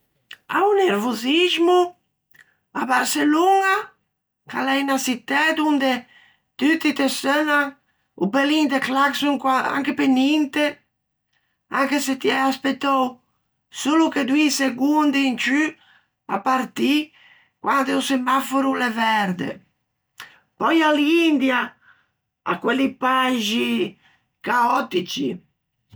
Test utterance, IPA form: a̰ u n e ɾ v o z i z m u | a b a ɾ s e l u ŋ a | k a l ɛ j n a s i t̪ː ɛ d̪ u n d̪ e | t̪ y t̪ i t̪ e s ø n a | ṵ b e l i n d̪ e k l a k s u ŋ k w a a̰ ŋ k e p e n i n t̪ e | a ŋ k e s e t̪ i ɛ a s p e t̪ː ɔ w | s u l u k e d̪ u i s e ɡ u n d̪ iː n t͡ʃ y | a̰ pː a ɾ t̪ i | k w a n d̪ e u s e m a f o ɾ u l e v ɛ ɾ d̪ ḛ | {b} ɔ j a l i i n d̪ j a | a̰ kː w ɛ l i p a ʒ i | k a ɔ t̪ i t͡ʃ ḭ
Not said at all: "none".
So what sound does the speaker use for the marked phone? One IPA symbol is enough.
p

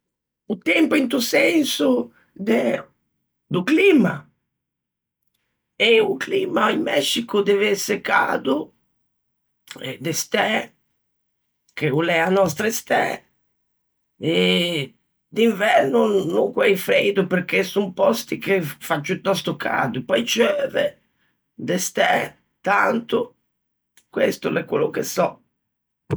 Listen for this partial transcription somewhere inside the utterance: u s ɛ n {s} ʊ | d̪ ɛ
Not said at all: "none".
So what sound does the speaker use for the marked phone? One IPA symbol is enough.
s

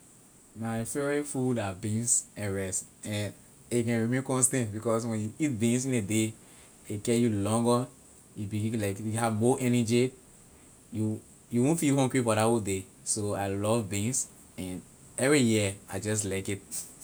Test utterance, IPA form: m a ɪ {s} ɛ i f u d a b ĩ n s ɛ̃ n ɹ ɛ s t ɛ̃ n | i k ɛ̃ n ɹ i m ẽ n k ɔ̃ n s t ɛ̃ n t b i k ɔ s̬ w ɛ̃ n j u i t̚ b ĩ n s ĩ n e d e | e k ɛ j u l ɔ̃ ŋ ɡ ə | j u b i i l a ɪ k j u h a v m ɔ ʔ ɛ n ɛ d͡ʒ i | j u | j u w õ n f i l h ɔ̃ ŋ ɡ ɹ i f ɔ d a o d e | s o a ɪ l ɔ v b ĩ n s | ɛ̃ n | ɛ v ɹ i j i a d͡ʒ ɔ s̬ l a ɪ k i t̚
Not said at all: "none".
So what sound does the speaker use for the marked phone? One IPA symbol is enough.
f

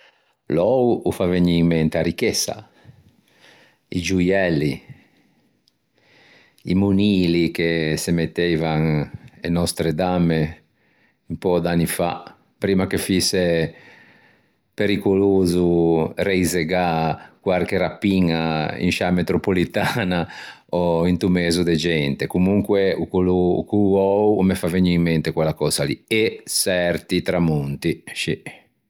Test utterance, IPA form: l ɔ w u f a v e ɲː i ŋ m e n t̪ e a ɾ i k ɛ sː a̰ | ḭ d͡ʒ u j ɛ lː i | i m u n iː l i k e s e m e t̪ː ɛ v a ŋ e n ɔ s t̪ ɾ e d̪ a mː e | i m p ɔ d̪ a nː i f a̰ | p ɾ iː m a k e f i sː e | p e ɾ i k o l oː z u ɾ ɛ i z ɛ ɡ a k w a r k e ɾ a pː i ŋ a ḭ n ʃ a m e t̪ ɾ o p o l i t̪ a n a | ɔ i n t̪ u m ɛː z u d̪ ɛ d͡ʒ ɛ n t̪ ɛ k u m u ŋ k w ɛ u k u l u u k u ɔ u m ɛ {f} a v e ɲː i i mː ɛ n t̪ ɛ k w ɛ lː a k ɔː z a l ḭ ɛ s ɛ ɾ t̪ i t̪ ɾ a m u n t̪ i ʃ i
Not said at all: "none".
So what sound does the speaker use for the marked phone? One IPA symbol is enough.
f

